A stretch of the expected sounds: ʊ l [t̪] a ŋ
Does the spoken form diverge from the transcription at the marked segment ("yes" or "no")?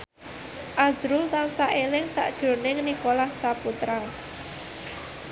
no